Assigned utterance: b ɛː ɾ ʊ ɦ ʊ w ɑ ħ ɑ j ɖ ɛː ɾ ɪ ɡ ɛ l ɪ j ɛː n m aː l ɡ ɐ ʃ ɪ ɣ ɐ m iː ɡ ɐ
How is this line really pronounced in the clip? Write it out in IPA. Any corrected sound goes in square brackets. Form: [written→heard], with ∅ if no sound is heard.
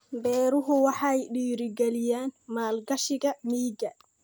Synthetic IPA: b ɛː ɾ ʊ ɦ ʊ w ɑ ħ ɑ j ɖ [ɛː→iː] ɾ ɪ ɡ ɛ l ɪ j [ɛː→aː] n m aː l ɡ ɐ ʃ ɪ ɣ ɐ m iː ɡ ɐ